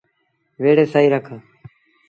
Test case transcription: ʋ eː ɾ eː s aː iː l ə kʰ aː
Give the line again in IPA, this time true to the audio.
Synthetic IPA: ʋ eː ɽ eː s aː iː ɾ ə kʰ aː

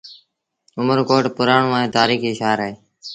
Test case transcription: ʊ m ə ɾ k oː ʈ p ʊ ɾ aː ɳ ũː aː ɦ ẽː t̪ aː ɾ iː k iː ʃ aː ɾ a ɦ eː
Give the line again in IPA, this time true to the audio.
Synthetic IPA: ʊ m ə ɾ k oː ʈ p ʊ ɾ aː ɳ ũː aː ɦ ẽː t̪ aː ɾ iː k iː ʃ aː ɾ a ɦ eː

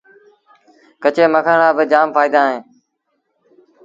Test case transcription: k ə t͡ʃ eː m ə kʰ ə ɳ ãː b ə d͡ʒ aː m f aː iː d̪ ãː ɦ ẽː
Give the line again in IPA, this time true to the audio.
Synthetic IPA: k ə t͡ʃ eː m ə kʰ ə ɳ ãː b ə d͡ʒ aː m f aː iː d̪ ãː ɦ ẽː

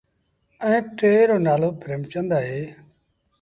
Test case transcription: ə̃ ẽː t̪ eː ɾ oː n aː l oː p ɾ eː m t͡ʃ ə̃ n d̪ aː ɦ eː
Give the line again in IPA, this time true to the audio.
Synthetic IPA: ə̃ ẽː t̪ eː ɾ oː n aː l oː p ɾ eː m t͡ʃ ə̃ n d̪ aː ɦ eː

